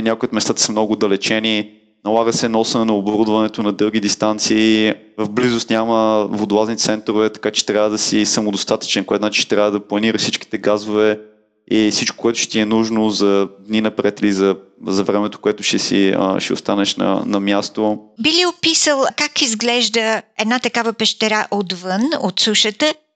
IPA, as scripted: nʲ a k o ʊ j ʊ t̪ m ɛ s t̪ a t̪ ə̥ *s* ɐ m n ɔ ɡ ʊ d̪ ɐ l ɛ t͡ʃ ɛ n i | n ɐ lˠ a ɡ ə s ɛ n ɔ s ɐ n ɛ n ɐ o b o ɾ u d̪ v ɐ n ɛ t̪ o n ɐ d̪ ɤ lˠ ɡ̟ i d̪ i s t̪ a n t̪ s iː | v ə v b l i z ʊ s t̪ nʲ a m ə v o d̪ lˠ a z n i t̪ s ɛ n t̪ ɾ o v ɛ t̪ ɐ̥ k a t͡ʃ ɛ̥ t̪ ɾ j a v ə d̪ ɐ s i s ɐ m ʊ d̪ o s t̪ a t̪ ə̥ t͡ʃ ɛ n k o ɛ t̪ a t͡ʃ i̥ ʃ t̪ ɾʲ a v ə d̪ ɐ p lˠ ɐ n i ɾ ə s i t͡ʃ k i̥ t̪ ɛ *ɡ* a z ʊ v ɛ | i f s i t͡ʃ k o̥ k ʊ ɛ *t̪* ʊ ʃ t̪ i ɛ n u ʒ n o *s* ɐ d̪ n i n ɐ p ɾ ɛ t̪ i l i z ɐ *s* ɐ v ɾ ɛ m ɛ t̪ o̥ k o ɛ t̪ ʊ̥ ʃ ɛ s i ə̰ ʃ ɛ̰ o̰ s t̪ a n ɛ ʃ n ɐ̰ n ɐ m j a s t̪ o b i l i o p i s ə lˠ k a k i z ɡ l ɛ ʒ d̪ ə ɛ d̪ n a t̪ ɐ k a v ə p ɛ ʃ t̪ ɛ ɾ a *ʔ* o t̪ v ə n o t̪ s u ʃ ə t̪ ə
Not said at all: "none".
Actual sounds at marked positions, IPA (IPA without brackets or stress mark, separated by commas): s, ɡ, t̪, z, z, ʔ